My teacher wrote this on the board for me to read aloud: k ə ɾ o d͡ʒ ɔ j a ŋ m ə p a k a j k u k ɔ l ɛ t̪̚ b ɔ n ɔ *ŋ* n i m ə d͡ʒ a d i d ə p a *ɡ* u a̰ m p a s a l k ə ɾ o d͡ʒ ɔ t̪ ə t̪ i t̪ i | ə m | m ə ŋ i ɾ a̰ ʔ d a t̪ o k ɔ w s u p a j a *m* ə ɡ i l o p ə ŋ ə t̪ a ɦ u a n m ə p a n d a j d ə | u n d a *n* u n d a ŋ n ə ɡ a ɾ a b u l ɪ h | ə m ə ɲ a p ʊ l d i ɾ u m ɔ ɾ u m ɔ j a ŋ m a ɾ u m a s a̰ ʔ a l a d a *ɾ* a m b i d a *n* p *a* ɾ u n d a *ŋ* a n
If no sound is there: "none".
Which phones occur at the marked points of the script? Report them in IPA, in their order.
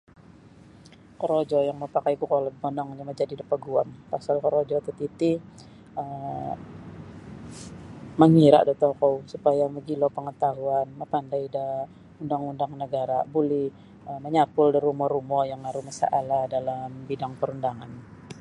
ŋ, ɡ, m, ŋ, l, ŋ, ə, ŋ

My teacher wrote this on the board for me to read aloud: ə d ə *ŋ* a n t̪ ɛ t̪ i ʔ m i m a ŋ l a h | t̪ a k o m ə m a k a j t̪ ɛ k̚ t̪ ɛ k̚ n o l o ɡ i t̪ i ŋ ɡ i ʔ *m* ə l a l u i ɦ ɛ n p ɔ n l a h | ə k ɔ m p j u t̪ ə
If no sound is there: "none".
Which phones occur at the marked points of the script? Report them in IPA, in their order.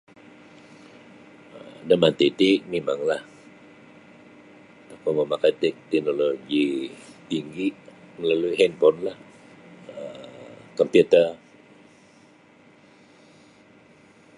m, m

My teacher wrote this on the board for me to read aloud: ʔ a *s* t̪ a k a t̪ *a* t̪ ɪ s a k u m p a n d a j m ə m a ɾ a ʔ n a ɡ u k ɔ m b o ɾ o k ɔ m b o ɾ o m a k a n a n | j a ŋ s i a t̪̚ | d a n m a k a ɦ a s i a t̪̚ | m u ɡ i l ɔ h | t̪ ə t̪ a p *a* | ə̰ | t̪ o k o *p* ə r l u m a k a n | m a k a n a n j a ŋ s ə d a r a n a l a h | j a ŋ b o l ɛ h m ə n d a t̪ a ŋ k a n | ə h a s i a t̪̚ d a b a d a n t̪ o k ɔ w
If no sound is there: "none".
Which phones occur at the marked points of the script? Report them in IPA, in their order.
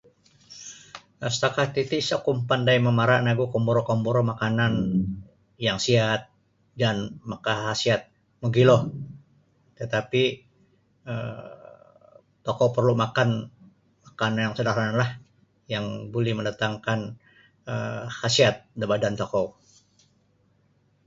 s, i, i, p

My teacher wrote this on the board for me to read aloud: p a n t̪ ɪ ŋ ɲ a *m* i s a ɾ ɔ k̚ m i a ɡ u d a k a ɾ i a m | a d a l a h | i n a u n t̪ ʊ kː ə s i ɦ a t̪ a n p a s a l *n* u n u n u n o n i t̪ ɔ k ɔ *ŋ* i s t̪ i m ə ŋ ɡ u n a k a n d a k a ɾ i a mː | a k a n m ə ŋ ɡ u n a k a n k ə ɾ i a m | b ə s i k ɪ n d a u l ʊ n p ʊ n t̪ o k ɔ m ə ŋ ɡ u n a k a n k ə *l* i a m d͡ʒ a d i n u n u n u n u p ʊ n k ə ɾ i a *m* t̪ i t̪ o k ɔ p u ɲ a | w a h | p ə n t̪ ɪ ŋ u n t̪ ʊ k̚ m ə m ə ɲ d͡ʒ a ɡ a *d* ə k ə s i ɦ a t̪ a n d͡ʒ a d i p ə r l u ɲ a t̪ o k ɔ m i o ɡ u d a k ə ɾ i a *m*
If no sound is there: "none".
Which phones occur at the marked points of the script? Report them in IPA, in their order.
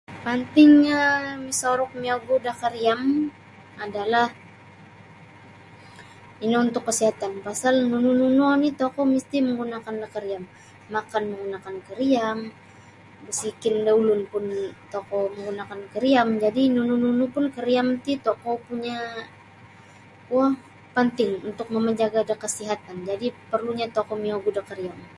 m, n, m, ɾ, m, d, m

